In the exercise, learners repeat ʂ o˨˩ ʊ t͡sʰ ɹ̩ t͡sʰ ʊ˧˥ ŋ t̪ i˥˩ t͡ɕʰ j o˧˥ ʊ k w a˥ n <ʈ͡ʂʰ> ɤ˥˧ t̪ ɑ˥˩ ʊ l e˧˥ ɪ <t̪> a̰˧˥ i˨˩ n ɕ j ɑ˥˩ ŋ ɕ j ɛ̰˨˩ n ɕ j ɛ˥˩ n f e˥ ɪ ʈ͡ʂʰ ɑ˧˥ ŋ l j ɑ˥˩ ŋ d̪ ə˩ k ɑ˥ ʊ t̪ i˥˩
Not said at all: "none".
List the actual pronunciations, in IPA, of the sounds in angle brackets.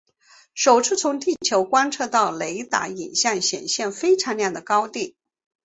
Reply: ʈ͡ʂʰ, t̪

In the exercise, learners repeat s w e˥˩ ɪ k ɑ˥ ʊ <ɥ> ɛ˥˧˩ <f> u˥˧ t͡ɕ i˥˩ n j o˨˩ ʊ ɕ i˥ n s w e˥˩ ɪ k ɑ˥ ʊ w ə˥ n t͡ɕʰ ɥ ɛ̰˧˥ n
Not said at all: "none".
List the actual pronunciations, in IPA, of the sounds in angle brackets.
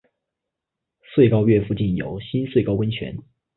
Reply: ɥ, f

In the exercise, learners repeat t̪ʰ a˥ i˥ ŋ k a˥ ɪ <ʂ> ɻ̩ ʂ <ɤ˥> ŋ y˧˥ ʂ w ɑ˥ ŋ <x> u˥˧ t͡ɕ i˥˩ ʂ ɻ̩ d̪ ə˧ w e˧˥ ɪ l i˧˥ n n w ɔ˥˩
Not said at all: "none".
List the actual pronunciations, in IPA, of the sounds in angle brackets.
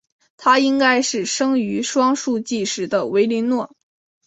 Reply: ʂ, ɤ˥, ʂ

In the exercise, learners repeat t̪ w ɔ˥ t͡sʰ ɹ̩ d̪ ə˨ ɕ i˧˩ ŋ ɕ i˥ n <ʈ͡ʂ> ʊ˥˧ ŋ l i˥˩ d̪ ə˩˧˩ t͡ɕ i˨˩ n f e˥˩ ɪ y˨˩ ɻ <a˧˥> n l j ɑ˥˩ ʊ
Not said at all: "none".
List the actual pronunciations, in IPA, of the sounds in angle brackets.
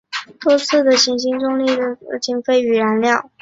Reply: ʈ͡ʂ, a˧˥

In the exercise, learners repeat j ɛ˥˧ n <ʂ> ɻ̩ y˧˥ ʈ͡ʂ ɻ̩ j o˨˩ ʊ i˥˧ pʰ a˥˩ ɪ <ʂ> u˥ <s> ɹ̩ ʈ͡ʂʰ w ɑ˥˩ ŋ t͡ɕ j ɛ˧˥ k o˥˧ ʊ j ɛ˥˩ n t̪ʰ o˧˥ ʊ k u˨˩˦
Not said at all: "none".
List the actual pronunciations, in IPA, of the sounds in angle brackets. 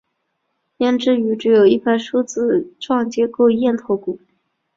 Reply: ʈ͡ʂ, ʂ, t͡s

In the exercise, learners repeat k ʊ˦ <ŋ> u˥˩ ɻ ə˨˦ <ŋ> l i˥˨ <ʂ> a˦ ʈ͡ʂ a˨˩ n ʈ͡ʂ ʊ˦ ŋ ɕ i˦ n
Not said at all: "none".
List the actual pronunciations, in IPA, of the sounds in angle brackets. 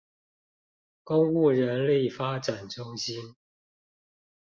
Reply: ŋ, n, f

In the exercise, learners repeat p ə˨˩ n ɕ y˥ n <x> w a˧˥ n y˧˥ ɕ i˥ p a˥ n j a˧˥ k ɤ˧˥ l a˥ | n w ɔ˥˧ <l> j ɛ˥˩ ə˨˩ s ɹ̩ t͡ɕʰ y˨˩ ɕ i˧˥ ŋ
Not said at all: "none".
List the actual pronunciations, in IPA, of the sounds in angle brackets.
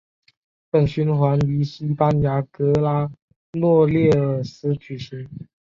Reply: x, l

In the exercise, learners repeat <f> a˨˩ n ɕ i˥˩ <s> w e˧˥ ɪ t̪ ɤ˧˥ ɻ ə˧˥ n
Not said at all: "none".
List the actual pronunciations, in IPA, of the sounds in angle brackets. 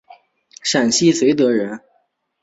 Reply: ʂ, s

